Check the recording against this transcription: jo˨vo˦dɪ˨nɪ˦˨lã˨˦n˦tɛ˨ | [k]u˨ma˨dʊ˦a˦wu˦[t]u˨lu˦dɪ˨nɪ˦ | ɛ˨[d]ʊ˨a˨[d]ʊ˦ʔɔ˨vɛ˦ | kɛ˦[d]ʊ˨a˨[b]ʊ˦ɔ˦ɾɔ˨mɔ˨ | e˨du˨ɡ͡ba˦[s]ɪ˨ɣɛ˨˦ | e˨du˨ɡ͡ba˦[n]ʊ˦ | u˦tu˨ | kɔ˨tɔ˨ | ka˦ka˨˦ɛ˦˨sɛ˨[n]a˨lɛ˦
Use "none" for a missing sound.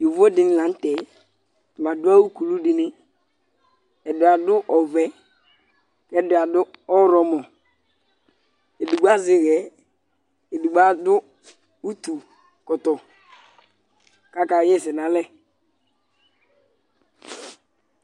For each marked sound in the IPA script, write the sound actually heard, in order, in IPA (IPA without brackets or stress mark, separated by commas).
t, k, d, d, d, d, z, d, n